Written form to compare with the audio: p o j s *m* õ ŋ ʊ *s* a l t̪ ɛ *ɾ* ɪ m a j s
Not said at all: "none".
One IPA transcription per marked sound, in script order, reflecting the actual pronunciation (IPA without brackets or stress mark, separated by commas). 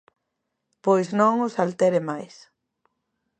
n, s, ɾ